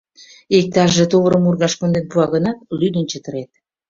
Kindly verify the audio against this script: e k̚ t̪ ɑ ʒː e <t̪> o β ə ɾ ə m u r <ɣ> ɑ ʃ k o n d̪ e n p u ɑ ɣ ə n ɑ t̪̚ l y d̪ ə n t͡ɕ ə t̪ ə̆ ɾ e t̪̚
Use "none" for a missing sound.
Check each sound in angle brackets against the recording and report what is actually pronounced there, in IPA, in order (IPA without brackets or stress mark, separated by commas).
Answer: t̪, ɣ